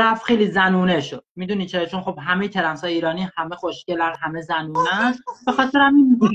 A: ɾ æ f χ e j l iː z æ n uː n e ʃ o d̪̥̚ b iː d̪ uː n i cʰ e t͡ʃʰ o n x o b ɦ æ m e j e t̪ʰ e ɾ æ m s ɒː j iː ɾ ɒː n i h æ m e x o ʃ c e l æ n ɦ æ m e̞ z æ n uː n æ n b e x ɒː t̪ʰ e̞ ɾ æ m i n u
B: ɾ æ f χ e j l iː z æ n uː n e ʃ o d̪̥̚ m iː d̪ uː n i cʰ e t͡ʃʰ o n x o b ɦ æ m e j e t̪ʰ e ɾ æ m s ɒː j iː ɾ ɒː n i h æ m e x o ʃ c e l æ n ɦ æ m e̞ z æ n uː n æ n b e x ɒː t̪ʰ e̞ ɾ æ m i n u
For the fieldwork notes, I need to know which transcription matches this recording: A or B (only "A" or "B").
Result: B